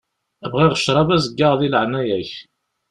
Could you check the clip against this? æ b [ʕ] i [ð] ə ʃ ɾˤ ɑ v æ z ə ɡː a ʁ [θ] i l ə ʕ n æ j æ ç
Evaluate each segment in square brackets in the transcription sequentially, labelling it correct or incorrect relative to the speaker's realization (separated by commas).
incorrect, incorrect, incorrect